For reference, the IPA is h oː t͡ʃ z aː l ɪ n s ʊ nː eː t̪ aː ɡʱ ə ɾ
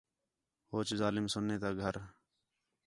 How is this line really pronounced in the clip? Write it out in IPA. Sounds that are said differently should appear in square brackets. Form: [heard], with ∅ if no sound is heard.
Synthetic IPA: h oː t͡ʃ z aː l ɪ [m] s ʊ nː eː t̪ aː ɡʱ ə ɾ